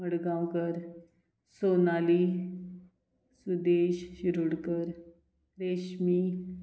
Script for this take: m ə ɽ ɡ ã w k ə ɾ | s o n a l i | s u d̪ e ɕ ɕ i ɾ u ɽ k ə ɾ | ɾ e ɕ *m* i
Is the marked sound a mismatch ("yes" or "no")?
no